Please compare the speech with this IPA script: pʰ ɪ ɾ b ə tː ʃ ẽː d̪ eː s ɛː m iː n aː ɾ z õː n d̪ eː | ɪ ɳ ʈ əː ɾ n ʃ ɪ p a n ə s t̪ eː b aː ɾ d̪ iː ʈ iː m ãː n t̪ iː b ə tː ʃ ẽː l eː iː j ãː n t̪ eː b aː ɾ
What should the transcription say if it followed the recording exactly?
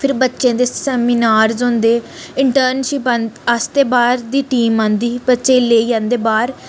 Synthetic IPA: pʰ ɪ ɾ b ə tː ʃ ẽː d̪ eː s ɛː m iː n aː ɾ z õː n d̪ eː | ɪ ɳ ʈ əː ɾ n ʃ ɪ p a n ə s t̪ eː b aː ɾ d̪ iː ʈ iː m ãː n d̪ iː b ə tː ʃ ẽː l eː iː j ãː n d̪ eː b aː ɾ